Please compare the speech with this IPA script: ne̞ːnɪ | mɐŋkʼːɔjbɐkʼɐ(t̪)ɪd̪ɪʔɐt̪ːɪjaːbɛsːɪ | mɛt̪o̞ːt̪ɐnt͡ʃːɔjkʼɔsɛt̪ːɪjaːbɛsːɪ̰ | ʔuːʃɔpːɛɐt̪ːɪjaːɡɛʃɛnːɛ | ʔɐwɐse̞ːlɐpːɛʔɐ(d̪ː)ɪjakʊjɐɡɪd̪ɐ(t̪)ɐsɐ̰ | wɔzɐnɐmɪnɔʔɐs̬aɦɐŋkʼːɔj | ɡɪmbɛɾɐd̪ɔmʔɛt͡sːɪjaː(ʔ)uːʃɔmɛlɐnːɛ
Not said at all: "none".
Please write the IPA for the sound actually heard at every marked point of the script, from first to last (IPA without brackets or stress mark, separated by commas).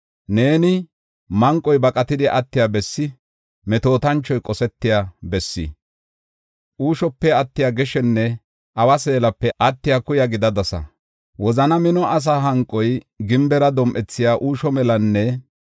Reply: t̪, t̪ː, d̪, ʔ